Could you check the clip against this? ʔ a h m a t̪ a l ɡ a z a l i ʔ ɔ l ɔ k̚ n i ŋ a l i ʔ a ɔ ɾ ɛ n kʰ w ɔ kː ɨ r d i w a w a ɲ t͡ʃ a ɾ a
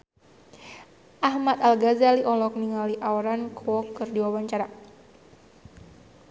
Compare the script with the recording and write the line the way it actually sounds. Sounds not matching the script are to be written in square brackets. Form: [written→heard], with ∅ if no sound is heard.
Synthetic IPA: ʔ a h m a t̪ a l ɡ a z a l i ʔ ɔ l ɔ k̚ n i ŋ a l i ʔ a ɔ ɾ [ɛ→a] n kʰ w ɔ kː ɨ r d i w a w a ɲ t͡ʃ a ɾ a